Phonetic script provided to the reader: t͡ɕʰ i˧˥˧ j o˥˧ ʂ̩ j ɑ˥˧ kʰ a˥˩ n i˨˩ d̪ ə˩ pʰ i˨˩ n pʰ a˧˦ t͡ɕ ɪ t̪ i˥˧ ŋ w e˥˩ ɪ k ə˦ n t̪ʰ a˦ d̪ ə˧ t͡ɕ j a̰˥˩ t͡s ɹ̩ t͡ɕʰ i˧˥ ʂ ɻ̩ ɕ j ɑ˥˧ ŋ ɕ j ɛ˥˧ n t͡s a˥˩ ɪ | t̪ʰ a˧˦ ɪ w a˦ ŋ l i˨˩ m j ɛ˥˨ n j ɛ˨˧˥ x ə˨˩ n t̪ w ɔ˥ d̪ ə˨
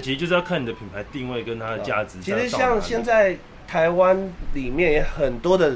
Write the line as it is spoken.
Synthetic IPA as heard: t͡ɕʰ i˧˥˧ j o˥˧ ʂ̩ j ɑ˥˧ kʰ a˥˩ n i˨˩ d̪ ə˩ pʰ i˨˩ n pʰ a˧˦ ɪ t̪ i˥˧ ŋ w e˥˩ ɪ k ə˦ n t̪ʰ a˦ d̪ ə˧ t͡ɕ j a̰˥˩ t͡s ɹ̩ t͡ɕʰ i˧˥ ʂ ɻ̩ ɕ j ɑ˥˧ ŋ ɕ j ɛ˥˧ n t͡s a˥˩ ɪ | t̪ʰ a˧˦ ɪ w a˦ n l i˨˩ m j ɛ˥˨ n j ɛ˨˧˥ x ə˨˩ n t̪ w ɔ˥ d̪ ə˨